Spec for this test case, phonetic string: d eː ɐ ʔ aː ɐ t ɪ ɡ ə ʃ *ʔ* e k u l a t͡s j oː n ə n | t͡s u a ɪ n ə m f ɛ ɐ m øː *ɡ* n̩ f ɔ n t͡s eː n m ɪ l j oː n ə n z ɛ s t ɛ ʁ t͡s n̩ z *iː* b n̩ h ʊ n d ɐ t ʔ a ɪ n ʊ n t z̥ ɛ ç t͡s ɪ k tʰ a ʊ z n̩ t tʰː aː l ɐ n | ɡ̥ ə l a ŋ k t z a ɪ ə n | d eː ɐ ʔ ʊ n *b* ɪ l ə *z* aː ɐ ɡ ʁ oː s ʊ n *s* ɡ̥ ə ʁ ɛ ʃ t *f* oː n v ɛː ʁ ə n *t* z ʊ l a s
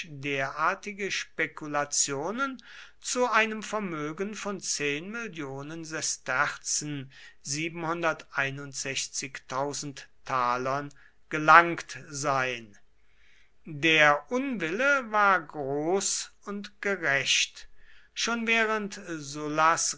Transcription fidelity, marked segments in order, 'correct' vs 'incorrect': incorrect, correct, correct, incorrect, incorrect, incorrect, incorrect, correct

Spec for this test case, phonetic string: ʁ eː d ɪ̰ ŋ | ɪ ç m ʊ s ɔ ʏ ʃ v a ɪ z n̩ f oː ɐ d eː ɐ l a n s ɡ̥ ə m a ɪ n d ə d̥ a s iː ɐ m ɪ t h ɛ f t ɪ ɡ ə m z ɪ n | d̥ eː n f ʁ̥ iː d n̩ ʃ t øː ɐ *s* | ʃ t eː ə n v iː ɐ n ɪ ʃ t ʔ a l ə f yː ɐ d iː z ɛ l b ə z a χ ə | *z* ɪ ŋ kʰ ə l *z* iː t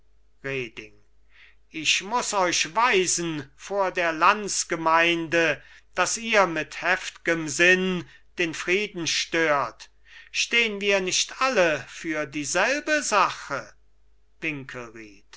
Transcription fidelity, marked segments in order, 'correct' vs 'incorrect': incorrect, incorrect, incorrect

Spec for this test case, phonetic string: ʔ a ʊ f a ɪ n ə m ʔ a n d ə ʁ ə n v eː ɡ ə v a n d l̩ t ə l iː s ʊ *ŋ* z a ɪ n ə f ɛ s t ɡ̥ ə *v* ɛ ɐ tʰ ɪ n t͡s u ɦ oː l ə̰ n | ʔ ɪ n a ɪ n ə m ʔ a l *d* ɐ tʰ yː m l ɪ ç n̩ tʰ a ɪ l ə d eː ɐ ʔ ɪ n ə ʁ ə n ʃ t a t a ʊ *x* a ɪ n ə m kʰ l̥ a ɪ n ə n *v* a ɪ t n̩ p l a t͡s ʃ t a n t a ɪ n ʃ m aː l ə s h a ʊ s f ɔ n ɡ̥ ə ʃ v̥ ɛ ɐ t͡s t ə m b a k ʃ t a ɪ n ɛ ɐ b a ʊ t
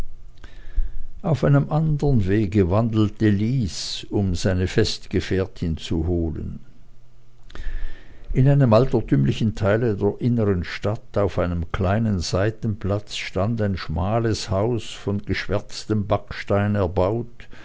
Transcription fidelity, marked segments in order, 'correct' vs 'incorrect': incorrect, incorrect, incorrect, incorrect, incorrect

